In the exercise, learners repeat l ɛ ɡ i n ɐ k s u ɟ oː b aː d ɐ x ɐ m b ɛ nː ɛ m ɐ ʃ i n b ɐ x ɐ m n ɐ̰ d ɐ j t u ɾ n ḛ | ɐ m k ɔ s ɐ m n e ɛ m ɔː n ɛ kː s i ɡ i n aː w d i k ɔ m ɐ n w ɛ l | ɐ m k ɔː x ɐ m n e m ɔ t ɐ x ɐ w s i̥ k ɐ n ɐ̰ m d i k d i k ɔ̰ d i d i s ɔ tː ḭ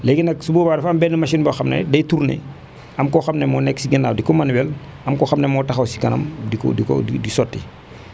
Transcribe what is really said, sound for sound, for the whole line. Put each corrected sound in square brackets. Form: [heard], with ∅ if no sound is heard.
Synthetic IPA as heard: l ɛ ɡ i n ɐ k s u [b] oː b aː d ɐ [f] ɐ m b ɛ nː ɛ m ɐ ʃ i n b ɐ x ɐ m n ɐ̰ d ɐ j t u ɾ n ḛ | ɐ m k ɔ [x] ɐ m n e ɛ m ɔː n ɛ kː s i ɡ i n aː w d i k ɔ m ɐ n w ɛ l | ɐ m k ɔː x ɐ m n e m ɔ t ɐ x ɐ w s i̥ k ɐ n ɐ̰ m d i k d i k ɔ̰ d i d i s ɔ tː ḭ